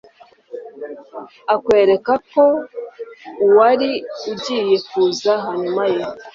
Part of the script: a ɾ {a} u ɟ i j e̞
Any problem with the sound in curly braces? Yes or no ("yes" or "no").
yes